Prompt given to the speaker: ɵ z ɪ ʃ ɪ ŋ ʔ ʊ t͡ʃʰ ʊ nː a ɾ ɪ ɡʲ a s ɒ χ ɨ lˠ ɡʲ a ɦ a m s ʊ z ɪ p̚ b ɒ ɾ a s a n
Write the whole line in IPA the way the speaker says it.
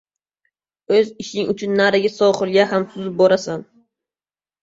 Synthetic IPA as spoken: ɵ z ɪ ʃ ɪ ŋ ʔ ʊ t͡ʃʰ ʊ nː a ɾ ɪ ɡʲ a s ɒ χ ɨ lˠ ɡʲ a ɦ a m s ʊ z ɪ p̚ b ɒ ɾ a s a n

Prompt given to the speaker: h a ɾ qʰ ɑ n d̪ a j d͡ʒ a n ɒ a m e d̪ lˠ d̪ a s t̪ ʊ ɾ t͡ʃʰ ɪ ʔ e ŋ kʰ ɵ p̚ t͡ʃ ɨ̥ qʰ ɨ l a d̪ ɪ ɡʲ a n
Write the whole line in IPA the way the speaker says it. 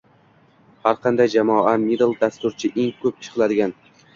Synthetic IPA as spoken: h a ɾ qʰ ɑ n d̪ a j d͡ʒ a m ɒ a m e d̪ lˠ d̪ a s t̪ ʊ ɾ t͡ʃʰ ɪ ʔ e ŋ kʰ ɵ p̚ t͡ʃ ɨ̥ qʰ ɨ l a d̪ ɪ ɡʲ a n

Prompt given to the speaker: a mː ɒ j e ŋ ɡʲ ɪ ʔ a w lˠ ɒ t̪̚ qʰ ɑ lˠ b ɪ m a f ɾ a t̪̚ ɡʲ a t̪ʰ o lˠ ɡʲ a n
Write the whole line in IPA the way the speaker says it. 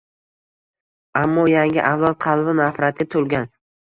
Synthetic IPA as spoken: a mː ɒ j a ŋ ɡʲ ɪ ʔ a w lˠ ɒ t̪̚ qʰ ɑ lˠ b ɪ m a f ɾ a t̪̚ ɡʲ a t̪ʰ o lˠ ɡʲ a n

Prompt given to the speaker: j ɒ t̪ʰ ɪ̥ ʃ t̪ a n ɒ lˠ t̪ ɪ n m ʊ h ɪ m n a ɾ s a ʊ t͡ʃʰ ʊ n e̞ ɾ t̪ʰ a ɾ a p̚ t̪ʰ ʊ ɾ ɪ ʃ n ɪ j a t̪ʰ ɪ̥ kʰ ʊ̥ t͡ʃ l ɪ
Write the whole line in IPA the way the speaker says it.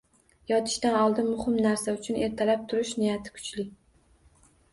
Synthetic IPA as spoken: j ɒ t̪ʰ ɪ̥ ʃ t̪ a n ɒ lˠ d̪ ɪ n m ʊ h ɪ m n a ɾ s a ʊ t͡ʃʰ ʊ n e̞ ɾ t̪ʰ a l a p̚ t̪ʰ ʊ ɾ ɪ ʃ n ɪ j a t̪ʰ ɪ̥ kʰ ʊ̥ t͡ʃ l ɪ

